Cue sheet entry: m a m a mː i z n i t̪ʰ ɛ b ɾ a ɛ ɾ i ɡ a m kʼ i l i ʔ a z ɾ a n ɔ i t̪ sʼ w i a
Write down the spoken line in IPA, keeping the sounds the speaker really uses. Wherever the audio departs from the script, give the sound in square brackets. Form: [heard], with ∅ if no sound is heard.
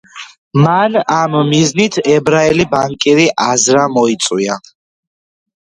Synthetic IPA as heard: m a [n] a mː i z n i t̪ʰ ɛ b ɾ a ɛ [l] i [b] a [ŋ] kʼ i [ɾ] i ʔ a z ɾ a [m] ɔ i t̪ sʼ w i a